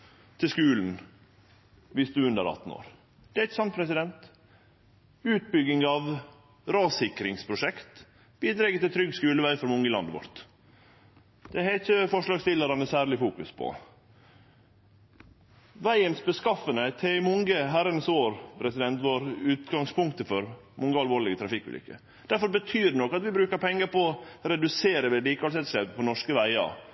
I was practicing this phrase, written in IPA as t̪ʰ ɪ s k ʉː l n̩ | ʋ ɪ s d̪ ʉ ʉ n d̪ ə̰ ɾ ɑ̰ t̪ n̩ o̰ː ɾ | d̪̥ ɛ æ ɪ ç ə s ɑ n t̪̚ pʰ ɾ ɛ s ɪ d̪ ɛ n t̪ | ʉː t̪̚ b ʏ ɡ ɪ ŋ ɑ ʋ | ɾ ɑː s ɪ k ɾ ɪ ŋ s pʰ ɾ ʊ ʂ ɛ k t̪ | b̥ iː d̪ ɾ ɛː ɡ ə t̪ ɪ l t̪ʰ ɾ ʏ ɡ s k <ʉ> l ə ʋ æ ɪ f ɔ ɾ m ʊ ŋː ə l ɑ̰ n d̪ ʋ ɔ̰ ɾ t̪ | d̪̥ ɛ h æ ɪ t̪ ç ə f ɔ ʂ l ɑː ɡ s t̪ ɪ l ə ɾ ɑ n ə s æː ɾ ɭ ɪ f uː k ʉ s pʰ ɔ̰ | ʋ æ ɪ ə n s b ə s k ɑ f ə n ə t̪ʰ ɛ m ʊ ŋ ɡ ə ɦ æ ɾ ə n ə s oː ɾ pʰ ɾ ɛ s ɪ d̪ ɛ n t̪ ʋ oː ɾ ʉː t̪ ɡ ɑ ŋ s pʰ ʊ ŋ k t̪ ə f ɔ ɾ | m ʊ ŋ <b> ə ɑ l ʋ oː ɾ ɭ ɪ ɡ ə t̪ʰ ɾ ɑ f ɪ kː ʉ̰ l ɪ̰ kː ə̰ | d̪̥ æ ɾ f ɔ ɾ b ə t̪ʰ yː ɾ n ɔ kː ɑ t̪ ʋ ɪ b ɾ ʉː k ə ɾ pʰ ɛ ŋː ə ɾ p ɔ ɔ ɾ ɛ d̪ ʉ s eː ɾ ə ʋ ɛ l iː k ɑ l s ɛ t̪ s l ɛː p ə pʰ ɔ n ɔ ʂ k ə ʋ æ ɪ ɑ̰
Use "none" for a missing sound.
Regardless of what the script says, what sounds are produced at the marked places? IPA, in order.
ʉː, ɡ

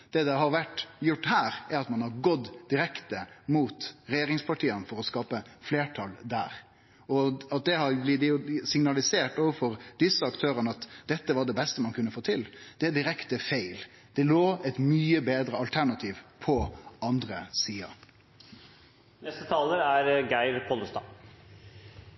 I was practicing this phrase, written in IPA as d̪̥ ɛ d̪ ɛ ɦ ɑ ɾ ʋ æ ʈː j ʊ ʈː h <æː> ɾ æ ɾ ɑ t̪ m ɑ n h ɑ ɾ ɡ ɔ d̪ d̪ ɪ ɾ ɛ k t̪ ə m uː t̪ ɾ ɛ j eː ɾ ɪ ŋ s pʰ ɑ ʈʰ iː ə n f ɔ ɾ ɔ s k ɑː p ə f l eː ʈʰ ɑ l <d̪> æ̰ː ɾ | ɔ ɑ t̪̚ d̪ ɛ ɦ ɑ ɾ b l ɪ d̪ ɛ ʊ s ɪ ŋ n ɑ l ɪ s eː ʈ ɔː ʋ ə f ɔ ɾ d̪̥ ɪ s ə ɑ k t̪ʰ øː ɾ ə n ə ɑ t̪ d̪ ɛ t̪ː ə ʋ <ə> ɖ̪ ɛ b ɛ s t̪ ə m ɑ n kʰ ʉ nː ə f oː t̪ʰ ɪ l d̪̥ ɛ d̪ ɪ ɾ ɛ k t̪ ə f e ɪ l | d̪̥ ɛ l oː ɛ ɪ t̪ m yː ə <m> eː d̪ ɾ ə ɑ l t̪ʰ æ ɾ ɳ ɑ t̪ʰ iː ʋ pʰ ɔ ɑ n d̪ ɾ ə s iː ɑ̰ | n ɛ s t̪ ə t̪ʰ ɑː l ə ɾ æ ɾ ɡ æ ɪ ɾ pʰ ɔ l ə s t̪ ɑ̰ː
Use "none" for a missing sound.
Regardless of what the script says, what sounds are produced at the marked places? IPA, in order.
æː, d̪, ɑ, b

